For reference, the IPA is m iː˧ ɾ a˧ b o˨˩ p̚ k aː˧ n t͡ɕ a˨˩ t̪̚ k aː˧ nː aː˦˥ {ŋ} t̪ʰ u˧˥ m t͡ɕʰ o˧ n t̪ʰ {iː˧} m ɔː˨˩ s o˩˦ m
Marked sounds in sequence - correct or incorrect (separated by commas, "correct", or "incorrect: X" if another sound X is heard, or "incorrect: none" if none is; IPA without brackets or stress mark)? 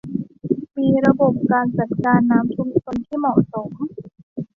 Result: incorrect: m, incorrect: iː˥˩